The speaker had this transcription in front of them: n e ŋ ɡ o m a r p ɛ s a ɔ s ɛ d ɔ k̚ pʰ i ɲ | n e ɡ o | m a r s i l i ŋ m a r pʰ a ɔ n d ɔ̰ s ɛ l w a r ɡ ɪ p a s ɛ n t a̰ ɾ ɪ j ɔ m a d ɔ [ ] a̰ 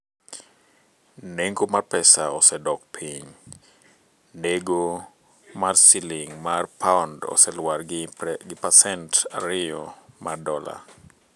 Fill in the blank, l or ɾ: l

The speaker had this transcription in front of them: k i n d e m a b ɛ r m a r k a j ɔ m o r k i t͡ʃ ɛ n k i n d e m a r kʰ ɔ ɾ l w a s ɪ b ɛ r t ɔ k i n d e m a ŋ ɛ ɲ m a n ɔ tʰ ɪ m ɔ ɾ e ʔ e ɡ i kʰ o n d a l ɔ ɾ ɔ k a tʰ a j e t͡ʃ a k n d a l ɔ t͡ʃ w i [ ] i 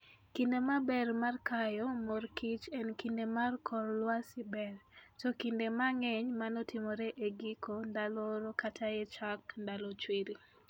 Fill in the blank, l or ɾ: ɾ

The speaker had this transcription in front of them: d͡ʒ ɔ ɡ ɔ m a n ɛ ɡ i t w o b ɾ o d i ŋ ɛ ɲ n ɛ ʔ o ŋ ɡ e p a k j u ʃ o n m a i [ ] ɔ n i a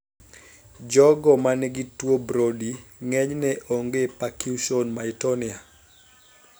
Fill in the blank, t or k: t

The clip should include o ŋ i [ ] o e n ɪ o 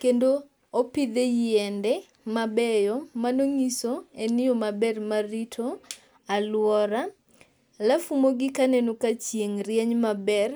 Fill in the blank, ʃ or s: s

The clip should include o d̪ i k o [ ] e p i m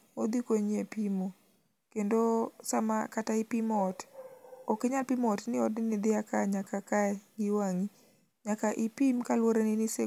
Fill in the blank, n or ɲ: ɲ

